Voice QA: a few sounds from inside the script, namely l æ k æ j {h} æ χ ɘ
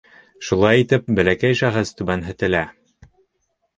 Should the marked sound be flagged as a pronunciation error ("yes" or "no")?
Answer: yes